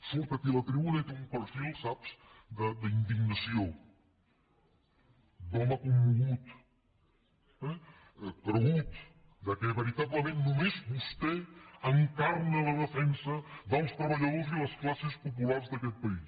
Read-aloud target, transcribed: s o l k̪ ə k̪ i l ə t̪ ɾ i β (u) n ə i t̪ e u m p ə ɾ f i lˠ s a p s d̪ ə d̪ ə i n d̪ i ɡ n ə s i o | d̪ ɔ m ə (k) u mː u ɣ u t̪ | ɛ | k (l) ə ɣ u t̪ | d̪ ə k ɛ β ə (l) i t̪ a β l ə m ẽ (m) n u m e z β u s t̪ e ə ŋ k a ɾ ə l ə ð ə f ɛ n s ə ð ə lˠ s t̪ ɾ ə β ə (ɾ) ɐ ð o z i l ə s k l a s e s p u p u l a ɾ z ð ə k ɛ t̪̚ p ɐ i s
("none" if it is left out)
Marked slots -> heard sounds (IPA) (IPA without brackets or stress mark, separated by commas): u, k, ɾ, ɾ, n, ʎ